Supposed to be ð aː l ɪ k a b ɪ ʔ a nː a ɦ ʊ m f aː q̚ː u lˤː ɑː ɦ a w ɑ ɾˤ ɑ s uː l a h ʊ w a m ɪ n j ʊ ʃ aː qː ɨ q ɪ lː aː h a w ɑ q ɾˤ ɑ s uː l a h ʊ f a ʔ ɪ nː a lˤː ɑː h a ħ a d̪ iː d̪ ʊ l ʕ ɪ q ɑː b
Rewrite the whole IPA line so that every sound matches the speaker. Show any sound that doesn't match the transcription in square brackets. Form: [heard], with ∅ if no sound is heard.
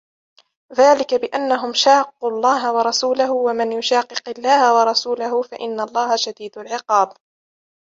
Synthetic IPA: ð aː l ɪ k a b ɪ ʔ a nː a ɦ ʊ m [ʃ] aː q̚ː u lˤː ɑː ɦ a w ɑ ɾˤ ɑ s uː l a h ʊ w a m ɪ n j ʊ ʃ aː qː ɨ q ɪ lː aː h a w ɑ [∅] ɾˤ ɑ s uː l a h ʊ f a ʔ ɪ nː a lˤː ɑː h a [ʃ] a d̪ iː d̪ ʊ l ʕ ɪ q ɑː b